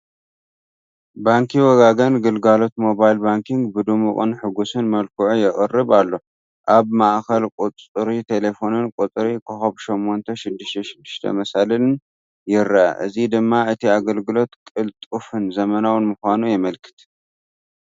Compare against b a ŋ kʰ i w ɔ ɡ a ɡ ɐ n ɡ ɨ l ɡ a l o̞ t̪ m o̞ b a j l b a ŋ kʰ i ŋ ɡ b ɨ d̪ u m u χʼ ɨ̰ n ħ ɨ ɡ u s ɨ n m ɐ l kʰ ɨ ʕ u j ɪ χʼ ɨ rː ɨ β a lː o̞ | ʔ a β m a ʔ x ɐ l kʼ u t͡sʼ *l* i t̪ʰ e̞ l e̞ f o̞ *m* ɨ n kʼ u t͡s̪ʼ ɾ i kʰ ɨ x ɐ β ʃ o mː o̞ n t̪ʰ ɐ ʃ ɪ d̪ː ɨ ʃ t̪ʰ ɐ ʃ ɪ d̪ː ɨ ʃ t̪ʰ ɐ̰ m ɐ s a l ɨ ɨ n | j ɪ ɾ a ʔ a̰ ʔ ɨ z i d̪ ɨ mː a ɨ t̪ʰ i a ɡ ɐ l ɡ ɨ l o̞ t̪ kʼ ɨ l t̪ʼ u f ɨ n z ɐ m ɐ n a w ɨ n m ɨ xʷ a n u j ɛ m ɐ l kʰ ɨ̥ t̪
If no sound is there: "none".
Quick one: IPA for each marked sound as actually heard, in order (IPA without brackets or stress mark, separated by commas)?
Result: ɾ, n